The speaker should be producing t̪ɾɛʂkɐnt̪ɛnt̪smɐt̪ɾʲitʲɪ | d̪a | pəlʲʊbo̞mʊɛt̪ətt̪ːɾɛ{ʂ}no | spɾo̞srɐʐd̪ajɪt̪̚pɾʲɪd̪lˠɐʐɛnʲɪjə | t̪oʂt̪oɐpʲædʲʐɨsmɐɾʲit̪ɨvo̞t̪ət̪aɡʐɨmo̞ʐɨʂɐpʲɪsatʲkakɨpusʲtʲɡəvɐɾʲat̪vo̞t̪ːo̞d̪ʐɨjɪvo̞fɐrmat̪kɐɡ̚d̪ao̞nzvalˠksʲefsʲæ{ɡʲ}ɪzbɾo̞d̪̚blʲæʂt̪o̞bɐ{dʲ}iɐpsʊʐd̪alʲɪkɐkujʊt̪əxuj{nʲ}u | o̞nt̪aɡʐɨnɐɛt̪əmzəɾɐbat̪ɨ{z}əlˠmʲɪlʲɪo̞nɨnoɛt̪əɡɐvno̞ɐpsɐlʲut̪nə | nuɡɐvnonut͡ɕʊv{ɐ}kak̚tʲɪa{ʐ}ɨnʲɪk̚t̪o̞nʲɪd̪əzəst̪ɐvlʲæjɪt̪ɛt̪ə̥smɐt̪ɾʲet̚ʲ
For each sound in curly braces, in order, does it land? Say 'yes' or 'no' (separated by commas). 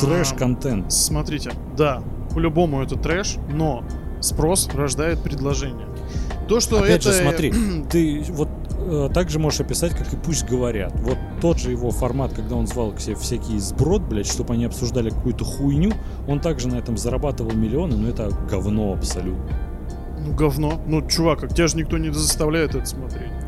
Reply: yes, no, no, yes, no, no, yes